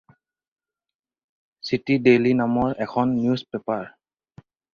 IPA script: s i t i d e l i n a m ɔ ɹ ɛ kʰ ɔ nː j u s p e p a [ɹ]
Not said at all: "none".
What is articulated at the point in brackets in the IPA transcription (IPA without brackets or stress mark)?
ɹ